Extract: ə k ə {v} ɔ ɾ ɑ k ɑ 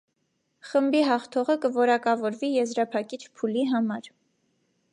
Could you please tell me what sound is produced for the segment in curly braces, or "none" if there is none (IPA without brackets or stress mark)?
v